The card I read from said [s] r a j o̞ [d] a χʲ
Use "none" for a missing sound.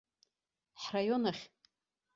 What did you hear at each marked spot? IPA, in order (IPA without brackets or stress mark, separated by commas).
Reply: ħ, n